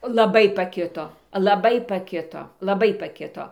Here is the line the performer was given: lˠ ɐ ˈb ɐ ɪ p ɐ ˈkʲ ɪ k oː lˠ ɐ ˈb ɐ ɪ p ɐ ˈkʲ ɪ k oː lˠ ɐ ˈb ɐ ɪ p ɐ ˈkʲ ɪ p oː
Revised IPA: lˠ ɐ ˈb ɐ ɪ p ɐ ˈkʲ ɪ t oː lˠ ɐ ˈb ɐ ɪ p ɐ ˈkʲ ɪ t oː lˠ ɐ ˈb ɐ ɪ p ɐ ˈkʲ ɪ t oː